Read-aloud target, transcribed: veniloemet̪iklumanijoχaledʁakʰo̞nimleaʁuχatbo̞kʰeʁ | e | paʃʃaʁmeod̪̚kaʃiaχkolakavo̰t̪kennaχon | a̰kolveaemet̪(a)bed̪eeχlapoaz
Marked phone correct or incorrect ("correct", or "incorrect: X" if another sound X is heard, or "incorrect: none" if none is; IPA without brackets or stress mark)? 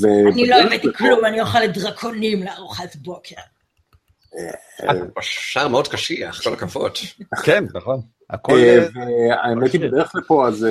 incorrect: i